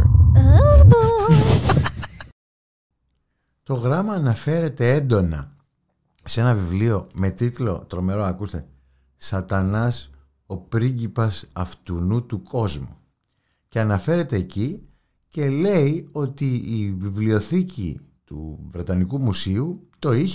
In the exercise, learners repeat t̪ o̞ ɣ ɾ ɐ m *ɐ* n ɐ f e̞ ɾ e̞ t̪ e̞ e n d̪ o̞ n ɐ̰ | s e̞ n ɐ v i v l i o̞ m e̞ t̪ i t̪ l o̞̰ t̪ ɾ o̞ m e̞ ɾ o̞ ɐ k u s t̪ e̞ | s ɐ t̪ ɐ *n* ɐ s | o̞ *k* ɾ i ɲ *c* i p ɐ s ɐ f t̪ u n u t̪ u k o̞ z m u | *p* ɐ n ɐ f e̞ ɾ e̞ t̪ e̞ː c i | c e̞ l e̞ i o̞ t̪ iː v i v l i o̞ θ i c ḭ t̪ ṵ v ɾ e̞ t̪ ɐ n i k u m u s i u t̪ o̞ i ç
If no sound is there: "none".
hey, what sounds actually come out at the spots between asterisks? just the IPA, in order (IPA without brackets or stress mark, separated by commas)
ɐː, n, p, ɟ, c